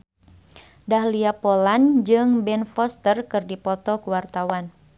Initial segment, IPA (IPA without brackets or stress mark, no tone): d